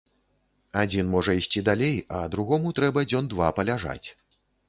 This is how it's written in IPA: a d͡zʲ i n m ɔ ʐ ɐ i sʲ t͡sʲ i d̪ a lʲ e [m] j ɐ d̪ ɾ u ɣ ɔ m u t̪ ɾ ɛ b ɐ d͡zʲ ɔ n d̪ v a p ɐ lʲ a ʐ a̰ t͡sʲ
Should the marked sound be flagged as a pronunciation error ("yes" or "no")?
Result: yes